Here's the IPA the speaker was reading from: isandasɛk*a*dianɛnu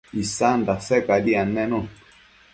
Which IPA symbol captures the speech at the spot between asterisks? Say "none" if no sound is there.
a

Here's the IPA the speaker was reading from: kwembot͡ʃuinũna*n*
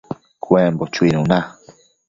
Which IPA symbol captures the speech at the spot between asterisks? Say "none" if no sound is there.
none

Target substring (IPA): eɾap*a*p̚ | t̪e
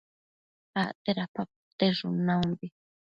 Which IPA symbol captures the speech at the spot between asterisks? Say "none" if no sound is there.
a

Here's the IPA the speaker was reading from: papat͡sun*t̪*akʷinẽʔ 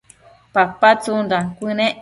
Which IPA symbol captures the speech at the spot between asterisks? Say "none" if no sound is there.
d̪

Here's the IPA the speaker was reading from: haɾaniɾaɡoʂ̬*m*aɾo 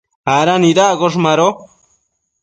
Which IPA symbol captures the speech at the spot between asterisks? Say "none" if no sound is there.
m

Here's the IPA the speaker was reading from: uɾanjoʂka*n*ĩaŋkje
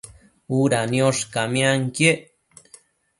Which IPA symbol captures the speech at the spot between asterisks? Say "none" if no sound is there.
m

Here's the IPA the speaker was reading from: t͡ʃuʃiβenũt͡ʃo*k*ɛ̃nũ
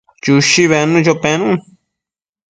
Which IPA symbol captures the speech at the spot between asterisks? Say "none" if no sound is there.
p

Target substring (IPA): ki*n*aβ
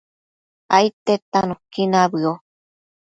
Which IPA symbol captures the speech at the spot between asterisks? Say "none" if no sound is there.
n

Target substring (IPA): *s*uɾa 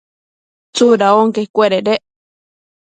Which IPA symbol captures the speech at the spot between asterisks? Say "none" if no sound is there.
t͡s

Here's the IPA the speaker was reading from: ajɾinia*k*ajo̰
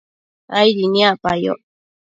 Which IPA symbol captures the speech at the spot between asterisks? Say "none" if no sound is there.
p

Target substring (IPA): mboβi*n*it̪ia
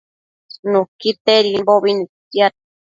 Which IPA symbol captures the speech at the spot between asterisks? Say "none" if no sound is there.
n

